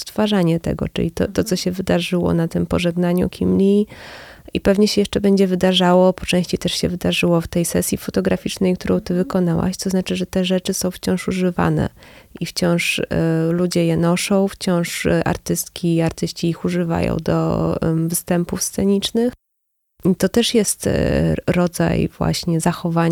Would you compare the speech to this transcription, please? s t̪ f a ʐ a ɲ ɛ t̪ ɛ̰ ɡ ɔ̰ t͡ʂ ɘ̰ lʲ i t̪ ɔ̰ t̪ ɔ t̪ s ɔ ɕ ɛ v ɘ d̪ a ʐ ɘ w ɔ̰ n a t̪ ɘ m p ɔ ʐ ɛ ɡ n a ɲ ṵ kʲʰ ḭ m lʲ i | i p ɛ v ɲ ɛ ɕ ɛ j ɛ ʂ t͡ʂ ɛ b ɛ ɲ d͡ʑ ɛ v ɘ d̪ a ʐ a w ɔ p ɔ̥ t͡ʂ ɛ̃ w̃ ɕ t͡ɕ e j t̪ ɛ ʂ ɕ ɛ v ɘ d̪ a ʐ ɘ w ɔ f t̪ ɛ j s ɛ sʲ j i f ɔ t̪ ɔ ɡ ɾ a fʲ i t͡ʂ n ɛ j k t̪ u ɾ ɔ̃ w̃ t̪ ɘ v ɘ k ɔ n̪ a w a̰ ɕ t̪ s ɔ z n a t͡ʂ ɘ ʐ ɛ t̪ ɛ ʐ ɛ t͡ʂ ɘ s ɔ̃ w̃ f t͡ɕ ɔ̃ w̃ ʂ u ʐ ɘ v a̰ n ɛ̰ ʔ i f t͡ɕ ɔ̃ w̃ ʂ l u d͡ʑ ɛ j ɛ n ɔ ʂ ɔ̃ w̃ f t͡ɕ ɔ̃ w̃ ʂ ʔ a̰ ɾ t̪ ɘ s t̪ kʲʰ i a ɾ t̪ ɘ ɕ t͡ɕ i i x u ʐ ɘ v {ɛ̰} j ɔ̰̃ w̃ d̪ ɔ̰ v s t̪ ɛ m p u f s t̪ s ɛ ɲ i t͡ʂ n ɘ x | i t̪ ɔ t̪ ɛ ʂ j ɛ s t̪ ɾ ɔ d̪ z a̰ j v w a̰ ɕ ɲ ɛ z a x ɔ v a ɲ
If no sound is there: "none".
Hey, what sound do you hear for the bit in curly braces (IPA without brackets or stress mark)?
a̰